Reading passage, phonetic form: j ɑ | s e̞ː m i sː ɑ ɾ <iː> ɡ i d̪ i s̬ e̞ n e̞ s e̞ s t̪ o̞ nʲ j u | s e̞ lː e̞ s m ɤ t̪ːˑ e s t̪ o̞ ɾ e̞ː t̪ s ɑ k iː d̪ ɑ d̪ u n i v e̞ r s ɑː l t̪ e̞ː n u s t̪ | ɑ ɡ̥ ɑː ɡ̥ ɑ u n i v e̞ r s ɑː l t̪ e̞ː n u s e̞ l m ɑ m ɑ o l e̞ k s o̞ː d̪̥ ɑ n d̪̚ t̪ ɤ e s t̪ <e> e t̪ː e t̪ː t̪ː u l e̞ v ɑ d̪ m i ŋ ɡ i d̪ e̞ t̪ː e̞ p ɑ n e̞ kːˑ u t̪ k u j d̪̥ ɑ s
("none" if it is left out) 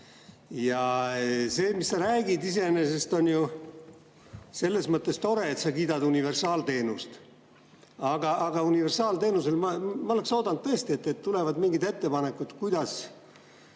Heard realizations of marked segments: æː, i

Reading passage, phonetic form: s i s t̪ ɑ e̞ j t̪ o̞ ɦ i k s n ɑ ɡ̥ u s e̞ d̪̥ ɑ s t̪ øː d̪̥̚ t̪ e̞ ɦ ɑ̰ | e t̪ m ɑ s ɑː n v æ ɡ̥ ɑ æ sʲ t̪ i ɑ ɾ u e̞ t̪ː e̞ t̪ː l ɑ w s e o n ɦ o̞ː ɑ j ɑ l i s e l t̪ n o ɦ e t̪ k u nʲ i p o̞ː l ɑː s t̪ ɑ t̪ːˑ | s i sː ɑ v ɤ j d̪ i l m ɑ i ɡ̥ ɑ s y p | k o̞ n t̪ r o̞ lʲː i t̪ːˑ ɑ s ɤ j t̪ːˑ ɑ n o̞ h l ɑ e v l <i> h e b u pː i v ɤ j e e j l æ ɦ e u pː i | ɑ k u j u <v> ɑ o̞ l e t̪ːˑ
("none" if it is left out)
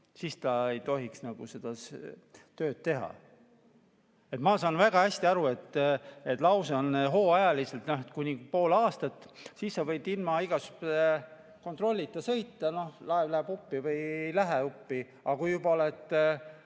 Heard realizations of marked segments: æ, b

